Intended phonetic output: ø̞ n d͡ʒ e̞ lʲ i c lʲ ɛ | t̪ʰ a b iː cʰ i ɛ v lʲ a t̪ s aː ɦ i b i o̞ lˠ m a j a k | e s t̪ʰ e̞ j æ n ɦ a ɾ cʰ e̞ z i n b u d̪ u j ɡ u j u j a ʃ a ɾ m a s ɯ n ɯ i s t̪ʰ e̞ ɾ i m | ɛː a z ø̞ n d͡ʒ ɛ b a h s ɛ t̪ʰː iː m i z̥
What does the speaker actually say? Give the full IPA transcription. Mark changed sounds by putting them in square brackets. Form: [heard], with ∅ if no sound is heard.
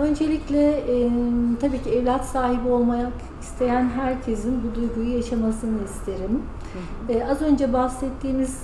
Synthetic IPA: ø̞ n d͡ʒ e̞ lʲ i c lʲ ɛ | t̪ʰ a b iː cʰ i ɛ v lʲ a t̪ s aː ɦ i b i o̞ lˠ m a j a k | [i] s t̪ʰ e̞ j æ n ɦ [æ] ɾ cʰ e̞ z i n b u d̪ u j ɡ u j u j a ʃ a [∅] m a s ɯ n ɯ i s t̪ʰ e̞ ɾ i m | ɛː a z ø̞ n d͡ʒ ɛ b a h s ɛ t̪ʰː iː m i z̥